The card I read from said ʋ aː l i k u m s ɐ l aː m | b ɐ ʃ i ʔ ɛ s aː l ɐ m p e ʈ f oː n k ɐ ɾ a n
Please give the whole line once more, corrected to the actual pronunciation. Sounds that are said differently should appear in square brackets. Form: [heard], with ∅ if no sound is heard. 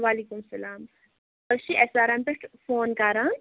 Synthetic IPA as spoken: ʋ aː l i k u m s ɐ l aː m | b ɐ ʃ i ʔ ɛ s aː [ɾ] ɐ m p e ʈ f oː n k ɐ ɾ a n